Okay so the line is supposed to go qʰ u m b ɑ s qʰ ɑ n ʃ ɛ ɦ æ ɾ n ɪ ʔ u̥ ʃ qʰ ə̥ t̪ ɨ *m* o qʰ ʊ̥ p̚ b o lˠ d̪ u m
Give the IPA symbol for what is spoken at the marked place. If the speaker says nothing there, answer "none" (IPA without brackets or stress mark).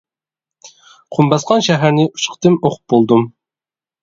m